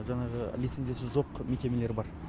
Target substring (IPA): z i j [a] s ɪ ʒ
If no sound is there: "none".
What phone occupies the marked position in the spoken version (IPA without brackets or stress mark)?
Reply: a